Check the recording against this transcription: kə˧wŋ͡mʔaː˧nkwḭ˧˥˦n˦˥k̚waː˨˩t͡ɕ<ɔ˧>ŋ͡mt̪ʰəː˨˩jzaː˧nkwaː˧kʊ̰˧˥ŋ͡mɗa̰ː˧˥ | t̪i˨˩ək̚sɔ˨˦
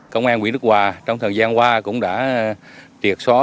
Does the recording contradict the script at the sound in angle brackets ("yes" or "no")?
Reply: no